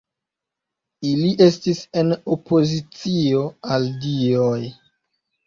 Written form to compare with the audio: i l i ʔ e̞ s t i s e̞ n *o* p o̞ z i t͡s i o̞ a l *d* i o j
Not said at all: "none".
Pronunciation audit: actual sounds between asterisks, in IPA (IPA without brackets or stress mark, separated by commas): o, d